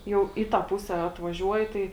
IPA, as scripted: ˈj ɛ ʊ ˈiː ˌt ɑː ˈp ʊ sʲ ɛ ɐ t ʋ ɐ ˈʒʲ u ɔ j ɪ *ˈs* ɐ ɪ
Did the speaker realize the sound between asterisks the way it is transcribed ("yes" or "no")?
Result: no